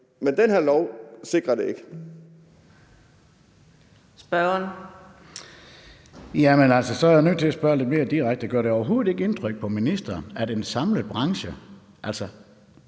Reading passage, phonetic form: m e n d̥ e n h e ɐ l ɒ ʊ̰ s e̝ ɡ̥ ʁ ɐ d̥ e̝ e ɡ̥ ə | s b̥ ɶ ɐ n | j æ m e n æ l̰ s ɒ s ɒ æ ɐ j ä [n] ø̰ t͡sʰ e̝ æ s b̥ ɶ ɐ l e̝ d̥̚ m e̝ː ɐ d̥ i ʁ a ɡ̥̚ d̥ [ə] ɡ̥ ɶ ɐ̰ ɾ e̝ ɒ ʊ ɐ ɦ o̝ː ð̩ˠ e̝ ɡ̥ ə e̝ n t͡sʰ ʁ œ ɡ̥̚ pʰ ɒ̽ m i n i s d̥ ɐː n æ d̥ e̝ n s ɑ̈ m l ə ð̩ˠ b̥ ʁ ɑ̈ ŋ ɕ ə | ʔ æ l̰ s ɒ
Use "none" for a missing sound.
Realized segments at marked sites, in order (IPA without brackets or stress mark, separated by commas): n, ə